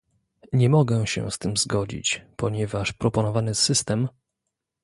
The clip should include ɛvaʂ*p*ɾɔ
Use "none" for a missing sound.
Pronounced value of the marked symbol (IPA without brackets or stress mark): p